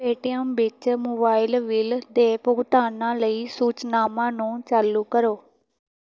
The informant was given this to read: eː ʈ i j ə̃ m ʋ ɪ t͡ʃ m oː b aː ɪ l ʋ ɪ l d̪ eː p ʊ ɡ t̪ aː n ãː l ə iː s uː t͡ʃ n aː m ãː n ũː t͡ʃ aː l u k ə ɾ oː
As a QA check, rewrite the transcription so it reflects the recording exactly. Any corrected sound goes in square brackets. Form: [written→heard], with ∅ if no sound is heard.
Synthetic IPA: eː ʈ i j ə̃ m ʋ ɪ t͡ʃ m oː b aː ɪ l ʋ ɪ l d̪ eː p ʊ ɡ t̪ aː n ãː l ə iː s uː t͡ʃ n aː m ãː n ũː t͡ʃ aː l u k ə ɾ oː